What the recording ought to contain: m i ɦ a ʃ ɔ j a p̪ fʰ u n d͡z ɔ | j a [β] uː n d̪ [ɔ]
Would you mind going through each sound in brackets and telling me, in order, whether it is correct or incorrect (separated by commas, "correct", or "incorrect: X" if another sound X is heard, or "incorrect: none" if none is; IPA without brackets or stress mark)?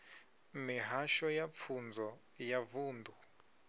incorrect: v, incorrect: u